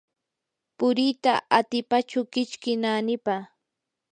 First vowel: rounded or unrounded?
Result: rounded